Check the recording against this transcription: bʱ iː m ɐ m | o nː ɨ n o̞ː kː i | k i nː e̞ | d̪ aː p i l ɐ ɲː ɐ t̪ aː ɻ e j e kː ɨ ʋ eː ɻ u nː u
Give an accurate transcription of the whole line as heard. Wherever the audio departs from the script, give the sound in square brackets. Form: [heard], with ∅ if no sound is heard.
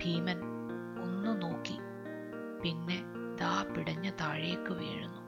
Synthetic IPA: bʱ iː m ɐ [n] | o nː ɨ n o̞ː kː i | [p] i nː e̞ | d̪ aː p i [ɽ] ɐ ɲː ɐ t̪ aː ɻ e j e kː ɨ ʋ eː ɻ u nː u